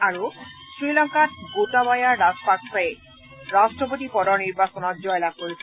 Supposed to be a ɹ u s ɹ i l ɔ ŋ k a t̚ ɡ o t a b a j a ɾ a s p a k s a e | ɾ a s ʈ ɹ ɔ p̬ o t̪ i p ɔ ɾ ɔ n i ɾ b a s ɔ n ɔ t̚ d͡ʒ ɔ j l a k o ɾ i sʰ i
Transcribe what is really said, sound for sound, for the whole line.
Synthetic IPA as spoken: a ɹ u s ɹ i l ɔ ŋ k a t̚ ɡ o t a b a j a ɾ a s p a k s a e | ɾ a s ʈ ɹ ɔ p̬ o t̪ i p ɔ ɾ ɔ n i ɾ b a s ɔ n ɔ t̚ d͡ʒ ɔ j l a k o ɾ i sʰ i

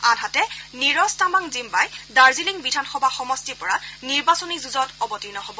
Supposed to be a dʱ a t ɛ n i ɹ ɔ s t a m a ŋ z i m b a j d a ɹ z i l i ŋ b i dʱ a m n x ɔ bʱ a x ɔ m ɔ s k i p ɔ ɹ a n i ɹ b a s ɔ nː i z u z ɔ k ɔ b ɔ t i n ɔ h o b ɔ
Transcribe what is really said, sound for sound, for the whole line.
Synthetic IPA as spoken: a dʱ a t ɛ n i ɹ ɔ s t a m a ŋ z i m b a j d a ɹ z i l i ŋ b i dʱ a n x ɔ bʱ a x ɔ m ɔ s t i p ɔ ɹ a n i ɹ b a s ɔ n i z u z ɔ t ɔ b ɔ t i n ɔ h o b ɔ

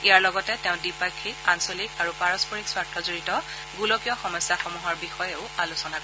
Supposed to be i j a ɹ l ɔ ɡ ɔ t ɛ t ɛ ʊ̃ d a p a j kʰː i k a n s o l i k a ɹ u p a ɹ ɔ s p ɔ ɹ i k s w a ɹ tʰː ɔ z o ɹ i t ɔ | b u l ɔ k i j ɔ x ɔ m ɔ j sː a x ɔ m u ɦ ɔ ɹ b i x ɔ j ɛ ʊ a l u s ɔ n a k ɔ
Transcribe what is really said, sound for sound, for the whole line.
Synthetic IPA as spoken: i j a ɹ l ɔ ɡ ɔ t ɛ t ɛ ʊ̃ d i p a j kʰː i k a n s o l i k a ɹ u p a ɹ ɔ s p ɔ ɹ i k s w a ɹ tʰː ɔ z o ɹ i t ɔ | ɡ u l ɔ k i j ɔ x ɔ m ɔ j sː a x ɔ m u ɦ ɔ ɹ b i x ɔ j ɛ ʊ a l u s ɔ n a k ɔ

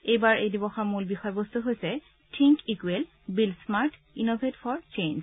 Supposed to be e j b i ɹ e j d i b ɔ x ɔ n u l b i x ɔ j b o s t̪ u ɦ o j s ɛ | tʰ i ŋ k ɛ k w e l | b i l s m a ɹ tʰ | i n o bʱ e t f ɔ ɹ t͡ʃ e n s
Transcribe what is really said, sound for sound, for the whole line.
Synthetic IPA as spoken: e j b a ɹ e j d i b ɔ x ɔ m u l b i x ɔ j b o s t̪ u ɦ o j s ɛ | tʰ i ŋ k i k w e l | b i l s m a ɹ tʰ | i n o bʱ e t f ɔ ɹ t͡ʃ e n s

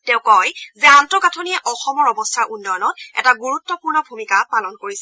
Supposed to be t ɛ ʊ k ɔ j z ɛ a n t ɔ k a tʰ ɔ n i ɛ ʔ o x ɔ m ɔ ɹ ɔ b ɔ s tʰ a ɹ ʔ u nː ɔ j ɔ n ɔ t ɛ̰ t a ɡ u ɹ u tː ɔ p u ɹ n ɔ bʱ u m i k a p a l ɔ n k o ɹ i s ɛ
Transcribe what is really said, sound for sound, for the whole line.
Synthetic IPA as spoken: t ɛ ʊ k ɔ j z ɛ a n t ɔ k a tʰ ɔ n i ɛ ʔ ɔ x ɔ m ɔ ɹ ɔ b ɔ s tʰ a ɹ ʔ u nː ɔ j ɔ n ɔ t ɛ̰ t a ɡ u ɹ u tː ɔ p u ɹ n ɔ bʱ u m i k a p a l ɔ n k o ɹ i s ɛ

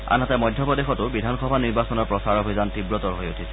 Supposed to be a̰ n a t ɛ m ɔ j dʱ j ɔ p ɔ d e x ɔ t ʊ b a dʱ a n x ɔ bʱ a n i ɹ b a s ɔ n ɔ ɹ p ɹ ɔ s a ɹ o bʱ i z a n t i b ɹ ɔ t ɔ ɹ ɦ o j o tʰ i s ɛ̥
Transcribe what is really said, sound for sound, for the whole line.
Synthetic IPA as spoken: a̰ n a t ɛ m ɔ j dʱ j ɔ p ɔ d e x ɔ t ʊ b i dʱ a n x ɔ bʱ a n i ɹ b a s ɔ n ɔ ɹ p ɹ ɔ s a ɹ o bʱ i z a n t i b ɹ ɔ t ɔ ɹ ɦ o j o tʰ i s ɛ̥

